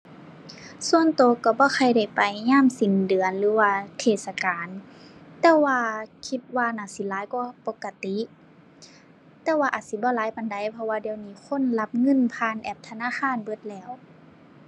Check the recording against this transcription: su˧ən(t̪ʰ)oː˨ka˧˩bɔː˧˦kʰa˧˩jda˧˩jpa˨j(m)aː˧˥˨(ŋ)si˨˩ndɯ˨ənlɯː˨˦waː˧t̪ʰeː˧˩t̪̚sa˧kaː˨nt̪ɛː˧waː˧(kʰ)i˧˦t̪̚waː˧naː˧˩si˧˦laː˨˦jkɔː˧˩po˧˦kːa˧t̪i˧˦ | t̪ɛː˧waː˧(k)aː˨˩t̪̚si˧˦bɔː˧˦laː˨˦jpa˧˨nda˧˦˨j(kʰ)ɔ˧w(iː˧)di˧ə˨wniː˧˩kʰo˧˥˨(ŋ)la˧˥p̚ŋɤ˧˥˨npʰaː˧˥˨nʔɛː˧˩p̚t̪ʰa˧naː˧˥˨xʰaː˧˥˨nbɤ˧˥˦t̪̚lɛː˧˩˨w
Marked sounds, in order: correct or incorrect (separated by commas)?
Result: incorrect, incorrect, incorrect, correct, incorrect, incorrect, incorrect, incorrect